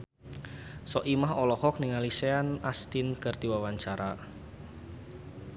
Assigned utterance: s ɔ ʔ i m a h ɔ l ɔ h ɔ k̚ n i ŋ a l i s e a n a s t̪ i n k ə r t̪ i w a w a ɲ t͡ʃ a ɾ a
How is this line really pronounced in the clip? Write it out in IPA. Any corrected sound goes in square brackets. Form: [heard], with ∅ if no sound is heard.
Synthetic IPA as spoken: s ɔ ʔ i m a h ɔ l ɔ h ɔ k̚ n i ŋ a l i s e a n a s t̪ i n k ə r t̪ i w a w a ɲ t͡ʃ a ɾ a